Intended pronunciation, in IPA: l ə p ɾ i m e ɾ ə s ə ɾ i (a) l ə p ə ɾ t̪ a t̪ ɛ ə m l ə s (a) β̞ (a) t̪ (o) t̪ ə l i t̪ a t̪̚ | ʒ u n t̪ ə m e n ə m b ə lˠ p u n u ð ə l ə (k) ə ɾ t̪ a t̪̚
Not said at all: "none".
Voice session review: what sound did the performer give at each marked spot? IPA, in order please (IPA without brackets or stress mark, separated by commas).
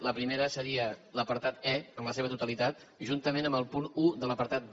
ə, e, ə, u, p